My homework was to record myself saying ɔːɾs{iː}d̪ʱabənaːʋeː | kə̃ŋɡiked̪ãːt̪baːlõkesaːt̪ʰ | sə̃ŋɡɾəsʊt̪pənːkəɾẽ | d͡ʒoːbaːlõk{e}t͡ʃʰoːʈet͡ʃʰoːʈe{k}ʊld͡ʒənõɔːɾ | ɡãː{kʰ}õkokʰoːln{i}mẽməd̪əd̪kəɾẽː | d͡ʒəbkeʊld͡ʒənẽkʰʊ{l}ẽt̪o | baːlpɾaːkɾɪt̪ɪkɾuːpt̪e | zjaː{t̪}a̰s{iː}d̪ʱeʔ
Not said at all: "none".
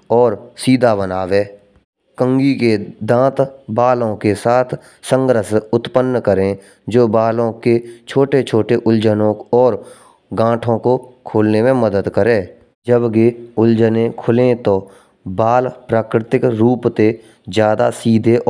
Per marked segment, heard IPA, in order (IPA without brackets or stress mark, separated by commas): iː, e, ʔ, ʈʰ, e, l, d̪, iː